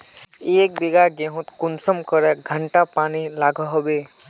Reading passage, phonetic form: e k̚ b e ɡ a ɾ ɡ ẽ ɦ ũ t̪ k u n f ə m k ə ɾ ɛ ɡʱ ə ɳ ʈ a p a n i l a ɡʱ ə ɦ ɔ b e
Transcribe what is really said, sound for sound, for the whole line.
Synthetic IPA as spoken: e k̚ b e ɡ a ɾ ɡ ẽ ɦ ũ t̪ k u n s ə m k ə ɾ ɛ ɡʱ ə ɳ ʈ a p a n i l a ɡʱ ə ɦ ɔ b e